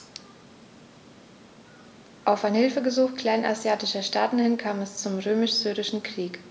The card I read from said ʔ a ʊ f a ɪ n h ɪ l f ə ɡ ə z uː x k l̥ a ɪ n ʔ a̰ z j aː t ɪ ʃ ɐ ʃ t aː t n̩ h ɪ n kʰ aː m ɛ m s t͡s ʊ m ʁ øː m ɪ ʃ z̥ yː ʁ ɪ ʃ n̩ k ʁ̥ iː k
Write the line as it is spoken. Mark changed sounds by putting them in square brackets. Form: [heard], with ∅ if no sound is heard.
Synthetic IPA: ʔ a ʊ f a ɪ n h ɪ l f ə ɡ ə z uː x k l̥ a ɪ n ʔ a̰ z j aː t ɪ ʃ ɐ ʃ t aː t n̩ h ɪ n kʰ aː m ɛ [∅] s t͡s ʊ m ʁ øː m ɪ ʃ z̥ yː ʁ ɪ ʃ n̩ k ʁ̥ iː k